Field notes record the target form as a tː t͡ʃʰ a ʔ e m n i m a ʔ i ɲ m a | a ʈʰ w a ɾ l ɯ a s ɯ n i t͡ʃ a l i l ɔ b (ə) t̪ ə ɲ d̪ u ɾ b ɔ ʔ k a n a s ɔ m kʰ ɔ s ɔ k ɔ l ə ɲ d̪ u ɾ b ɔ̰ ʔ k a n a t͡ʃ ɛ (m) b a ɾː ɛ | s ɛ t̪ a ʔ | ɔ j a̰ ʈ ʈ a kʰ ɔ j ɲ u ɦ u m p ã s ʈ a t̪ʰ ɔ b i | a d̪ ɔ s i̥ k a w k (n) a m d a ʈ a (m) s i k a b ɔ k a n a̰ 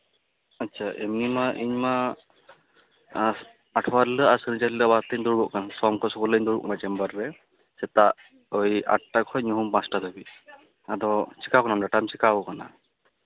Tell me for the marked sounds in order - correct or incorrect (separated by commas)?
incorrect, correct, correct, correct